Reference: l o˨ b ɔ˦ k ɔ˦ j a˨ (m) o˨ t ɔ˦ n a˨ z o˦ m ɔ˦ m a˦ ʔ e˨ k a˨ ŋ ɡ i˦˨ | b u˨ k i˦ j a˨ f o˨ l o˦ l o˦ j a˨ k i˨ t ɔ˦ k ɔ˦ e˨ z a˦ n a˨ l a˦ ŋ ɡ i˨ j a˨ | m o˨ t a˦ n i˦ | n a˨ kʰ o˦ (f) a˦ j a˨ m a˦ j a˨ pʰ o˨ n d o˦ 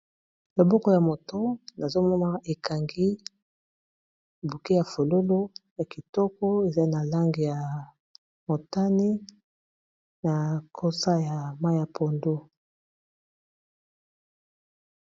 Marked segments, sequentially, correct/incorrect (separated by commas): correct, incorrect